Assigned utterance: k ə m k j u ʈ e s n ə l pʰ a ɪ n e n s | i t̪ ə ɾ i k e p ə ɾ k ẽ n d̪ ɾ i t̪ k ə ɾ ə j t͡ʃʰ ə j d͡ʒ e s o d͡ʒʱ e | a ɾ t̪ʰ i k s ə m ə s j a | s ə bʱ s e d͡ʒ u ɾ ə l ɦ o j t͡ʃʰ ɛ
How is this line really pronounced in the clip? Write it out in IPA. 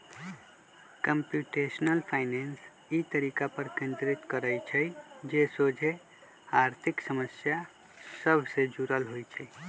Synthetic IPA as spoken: k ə m p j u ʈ e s n ə l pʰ a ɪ n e n s | i t̪ ə ɾ i k a p ə ɾ k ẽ n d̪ ɾ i t̪ k ə ɾ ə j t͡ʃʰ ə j d͡ʒ e s o d͡ʒʱ e | a ɾ t̪ʰ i k s ə m ə s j a | s ə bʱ s e d͡ʒ u ɾ ə l ɦ o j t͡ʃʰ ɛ